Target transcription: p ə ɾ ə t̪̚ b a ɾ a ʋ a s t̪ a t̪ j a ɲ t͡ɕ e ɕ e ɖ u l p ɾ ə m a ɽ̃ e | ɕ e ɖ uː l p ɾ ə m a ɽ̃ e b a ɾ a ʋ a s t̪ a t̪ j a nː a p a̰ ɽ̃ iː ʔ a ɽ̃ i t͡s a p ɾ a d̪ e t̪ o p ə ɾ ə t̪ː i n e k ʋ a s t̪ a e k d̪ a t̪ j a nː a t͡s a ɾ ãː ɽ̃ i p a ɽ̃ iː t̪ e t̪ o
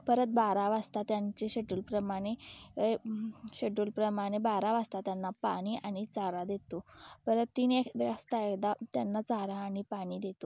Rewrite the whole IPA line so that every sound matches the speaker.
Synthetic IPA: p ə ɾ ə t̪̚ b a ɾ a ʋ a s t̪ a t̪ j a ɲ t͡ɕ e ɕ e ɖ u l p ɾ ə m a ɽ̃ e | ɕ e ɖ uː l p ɾ ə m a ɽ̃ e b a ɾ a ʋ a s t̪ a t̪ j a nː a p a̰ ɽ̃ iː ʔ a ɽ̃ i t͡s a ɾ a d̪ e t̪ o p ə ɾ ə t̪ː i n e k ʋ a s t̪ a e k d̪ a t̪ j a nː a t͡s a ɾ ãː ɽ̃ i p a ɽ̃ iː d̪ e t̪ o

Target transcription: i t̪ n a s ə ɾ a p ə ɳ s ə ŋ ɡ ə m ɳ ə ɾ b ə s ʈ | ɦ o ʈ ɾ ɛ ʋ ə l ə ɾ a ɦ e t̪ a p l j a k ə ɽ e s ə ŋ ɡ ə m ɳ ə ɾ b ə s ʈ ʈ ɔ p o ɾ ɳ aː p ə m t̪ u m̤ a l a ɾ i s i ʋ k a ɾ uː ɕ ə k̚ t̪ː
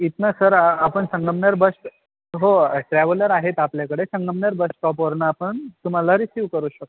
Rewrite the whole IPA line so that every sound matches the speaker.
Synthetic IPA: i t̪ n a s ə ɾ a p ə ɳ s ə ŋ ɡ ə m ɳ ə ɾ b ə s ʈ | ɦ o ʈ ɾ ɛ ʋ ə l ə ɾ a ɦ e t̪ a p l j a k ə ɽ e s ə ŋ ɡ ə m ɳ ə ɾ b ə s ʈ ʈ ɔ p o ɾ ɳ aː p ə ɳ t̪ u m̤ a l a ɾ i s i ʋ k ə ɾ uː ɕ ə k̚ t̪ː

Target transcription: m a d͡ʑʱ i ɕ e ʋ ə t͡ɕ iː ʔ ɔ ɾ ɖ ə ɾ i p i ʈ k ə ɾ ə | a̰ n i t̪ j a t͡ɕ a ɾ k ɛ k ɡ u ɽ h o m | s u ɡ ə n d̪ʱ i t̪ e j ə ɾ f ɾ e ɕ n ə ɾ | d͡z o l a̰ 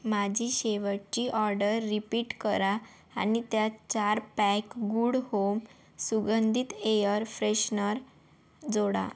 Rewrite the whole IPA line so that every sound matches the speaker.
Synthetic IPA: m a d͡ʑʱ i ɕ e ʋ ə t͡ɕ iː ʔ ɔ ɾ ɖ ə ɾː i p i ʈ k ə ɾ a | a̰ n i t̪ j a t͡ɕ a ɾ p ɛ k ɡ u ɽ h o m | s u ɡ ə n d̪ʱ i t̪ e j ə ɾ f ɾ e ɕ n ə ɾ | d͡z o ɽ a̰

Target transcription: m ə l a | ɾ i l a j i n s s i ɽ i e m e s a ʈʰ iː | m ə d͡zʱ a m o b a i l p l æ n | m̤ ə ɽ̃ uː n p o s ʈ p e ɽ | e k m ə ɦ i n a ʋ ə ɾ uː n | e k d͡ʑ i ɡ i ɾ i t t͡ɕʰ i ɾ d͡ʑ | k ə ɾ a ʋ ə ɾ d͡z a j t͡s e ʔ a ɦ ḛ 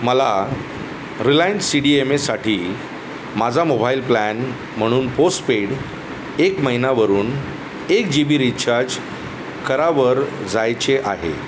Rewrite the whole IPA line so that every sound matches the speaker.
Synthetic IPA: m ə l a | ɾ i l a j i n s s i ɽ i e m e s a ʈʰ iː | m a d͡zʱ a m o b a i l p l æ n | m̤ ə ɽ̃ uː n p o s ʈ p e ɽ | e k m ə ɦ i n a ʋ ə ɾ uː n | e k d͡ʑ i b i ɾ i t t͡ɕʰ a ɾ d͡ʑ | k ə ɾ a ʋ ə ɾ d͡z a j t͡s e ʔ a ɦ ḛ

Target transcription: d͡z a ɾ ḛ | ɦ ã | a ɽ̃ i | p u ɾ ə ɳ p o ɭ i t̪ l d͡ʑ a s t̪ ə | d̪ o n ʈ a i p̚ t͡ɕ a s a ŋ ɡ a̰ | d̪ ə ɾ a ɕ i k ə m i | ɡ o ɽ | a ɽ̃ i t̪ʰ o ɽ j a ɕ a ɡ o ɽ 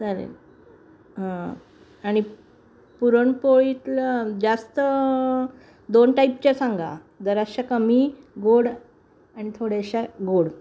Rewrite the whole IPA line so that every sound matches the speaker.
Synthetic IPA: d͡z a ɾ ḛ | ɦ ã | a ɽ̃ i | p u ɾ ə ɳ p o ɭ i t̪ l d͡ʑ a s t̪ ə | d̪ o n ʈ a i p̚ t͡ɕ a s a ŋ ɡ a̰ | d̪ ə ɾ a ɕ a k ə m i | ɡ o ɽ | a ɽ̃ i t̪ʰ o ɽ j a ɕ a ɡ o ɽ

